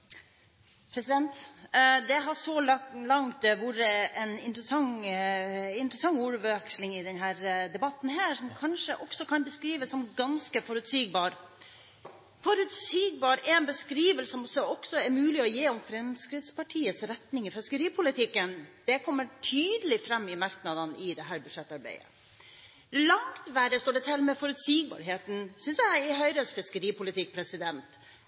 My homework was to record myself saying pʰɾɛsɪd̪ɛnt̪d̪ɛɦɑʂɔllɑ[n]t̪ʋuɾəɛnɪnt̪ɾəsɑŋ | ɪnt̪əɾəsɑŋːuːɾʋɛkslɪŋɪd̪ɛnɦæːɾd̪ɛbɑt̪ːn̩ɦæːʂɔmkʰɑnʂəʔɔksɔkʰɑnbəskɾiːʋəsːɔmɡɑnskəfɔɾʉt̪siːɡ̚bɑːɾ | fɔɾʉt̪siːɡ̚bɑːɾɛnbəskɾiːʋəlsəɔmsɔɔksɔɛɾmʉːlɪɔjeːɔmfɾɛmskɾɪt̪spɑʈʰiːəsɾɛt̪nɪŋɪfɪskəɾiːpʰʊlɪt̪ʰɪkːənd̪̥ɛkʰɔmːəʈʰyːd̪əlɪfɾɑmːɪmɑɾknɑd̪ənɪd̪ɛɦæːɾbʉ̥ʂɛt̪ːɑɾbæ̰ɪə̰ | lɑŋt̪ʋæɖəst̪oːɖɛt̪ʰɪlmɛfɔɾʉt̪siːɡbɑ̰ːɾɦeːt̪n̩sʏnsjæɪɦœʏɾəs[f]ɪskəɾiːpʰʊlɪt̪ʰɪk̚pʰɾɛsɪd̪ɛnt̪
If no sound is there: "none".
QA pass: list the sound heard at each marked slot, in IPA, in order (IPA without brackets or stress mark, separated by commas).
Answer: ŋ, f